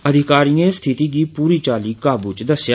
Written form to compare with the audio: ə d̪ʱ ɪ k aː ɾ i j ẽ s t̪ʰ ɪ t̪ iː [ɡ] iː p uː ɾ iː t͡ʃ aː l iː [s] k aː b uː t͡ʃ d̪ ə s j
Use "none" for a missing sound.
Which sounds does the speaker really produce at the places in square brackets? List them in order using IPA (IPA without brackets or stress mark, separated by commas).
ɡ, none